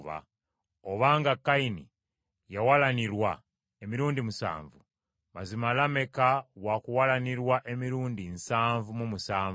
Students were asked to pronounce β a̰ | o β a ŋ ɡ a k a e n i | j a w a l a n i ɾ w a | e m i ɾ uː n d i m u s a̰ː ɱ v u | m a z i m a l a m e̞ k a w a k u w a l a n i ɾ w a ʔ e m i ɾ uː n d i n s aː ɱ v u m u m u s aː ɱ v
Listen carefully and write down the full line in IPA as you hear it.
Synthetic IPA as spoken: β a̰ | o β a ŋ ɡ a k a i n i | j a w a l a n i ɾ w a | e m i ɾ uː n d i m u s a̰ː ɱ v u | m a z i m a l a m e̞ k a w a k u w a l a n i ɾ w a ʔ e m i ɾ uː n d i n s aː ɱ v u m u m u s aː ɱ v